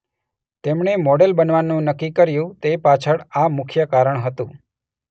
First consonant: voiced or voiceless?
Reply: voiceless